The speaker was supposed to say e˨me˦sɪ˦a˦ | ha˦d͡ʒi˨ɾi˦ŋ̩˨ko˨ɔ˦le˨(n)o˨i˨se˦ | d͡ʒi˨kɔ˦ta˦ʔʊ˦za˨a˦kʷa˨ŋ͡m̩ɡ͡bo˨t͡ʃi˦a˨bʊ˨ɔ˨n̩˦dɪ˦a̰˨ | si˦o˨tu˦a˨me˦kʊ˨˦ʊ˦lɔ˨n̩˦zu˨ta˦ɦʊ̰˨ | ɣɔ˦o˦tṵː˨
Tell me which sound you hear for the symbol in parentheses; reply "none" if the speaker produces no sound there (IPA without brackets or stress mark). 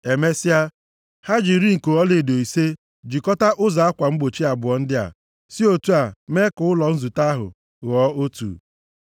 d